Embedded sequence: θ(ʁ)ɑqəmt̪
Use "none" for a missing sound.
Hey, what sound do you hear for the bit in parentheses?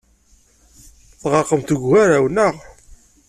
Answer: ʁ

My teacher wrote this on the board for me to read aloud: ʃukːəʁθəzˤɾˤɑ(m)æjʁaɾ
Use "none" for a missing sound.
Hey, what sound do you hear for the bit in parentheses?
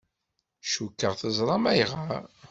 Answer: m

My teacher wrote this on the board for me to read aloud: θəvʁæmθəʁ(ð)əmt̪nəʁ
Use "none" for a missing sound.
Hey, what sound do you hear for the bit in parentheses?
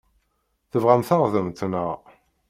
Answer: ð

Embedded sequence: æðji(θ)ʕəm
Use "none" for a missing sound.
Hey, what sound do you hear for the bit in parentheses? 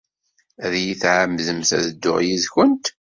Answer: θ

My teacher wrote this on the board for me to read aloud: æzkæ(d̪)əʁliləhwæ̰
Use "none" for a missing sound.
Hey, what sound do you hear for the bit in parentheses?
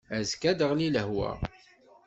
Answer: d̪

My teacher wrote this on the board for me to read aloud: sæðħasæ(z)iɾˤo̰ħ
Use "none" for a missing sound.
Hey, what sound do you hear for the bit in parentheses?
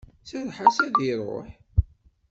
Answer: ð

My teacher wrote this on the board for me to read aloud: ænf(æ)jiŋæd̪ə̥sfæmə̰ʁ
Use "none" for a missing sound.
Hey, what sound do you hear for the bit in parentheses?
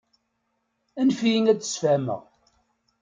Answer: i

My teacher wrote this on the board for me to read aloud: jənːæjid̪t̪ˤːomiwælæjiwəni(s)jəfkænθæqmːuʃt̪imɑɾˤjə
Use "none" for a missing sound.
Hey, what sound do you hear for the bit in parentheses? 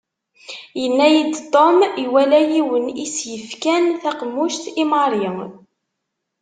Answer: s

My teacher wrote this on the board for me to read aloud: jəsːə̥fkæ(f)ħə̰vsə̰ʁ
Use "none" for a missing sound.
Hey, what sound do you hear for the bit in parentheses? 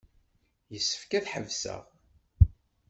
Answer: θ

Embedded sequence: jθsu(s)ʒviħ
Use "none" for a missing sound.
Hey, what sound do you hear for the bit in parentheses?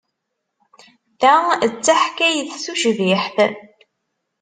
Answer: none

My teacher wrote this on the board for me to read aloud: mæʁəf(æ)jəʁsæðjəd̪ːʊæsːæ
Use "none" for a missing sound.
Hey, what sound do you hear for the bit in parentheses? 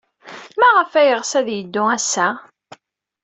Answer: æ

